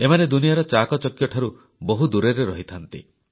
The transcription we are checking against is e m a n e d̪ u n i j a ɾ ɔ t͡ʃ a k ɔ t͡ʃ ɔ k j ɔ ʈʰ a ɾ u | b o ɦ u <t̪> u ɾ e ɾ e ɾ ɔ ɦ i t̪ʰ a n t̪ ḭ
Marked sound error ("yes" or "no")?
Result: yes